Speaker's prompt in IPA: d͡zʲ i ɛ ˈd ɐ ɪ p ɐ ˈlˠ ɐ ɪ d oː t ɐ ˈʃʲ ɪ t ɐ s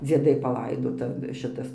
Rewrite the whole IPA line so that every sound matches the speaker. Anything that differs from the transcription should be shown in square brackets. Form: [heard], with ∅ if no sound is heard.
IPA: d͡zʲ i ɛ ˈd ɐ ɪ p ɐ ˈlˠ ɐ ɪ d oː t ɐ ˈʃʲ ɪ t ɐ s